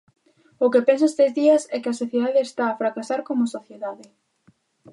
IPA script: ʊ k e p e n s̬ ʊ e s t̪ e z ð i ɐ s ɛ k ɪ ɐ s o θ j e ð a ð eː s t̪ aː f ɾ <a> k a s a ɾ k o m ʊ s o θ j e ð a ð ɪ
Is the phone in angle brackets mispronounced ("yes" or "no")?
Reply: no